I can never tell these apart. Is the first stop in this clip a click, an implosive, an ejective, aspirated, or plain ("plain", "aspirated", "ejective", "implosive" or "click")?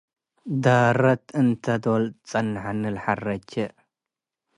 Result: plain